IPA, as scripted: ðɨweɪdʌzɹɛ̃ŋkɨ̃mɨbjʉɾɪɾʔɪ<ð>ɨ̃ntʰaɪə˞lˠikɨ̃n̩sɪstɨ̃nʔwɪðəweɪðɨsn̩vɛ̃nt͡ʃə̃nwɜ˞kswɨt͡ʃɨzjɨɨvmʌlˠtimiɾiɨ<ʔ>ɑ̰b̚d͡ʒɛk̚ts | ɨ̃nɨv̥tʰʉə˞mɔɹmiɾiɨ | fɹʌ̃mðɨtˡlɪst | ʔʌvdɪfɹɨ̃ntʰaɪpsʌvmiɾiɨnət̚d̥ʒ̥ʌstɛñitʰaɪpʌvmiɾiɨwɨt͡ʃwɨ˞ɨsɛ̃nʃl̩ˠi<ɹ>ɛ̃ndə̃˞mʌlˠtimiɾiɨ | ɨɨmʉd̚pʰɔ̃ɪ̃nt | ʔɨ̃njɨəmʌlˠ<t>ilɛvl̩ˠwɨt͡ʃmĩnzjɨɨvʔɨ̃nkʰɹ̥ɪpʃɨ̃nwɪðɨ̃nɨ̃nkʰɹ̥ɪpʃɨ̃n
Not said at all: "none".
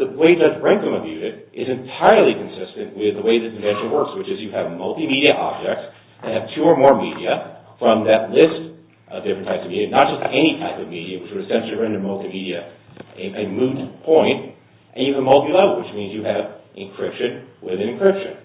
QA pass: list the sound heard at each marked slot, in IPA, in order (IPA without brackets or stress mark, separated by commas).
z, ʔ, ɹ, t